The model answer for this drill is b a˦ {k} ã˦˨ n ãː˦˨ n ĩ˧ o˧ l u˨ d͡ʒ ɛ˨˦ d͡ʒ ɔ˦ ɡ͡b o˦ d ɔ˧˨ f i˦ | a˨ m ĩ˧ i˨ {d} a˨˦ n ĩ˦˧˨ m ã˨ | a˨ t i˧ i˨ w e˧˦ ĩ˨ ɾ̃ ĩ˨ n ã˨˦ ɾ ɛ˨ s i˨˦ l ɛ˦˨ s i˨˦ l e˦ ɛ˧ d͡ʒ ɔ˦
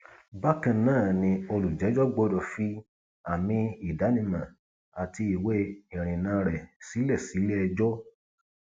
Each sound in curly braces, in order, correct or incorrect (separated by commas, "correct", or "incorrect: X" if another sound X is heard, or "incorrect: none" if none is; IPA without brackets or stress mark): correct, correct